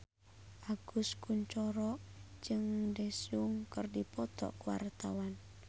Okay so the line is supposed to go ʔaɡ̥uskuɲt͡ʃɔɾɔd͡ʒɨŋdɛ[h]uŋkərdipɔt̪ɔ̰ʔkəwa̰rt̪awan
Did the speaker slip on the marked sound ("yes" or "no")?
yes